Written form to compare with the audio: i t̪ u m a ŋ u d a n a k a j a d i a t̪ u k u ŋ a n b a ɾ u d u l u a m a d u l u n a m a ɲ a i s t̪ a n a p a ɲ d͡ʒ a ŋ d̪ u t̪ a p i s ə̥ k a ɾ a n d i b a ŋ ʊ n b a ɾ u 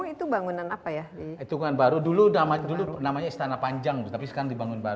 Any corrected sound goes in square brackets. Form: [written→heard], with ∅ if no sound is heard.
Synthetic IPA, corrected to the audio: i t̪ u [m→b] a ŋ u [d→n] a n a [k→p] a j a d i [a→i] t̪ u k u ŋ a n b a ɾ u d u l u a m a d u l u n a m a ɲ a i s t̪ a n a p a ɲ d͡ʒ a ŋ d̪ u t̪ a p i s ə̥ k a ɾ a [n→ŋ] d i b a ŋ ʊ n b a ɾ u